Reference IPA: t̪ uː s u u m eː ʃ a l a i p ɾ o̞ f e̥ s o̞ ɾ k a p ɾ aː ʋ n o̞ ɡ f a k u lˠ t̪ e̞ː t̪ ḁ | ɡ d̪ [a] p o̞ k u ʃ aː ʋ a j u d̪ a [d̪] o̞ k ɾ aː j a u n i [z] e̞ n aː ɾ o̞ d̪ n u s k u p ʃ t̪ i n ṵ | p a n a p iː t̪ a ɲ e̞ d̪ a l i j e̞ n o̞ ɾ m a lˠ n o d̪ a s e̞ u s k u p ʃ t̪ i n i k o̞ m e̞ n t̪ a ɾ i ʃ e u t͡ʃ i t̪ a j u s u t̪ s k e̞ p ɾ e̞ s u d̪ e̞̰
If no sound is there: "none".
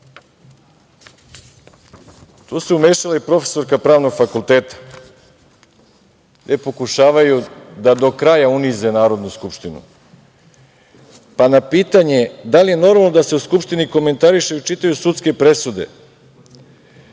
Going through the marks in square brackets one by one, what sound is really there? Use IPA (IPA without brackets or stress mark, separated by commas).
e, d̪, z